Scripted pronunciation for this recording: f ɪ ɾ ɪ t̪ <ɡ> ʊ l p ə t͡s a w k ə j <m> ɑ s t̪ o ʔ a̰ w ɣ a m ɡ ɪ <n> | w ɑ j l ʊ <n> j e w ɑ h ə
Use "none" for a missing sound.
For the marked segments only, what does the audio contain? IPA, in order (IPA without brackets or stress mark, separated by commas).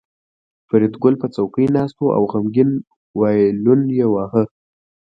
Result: ɡ, n, n, n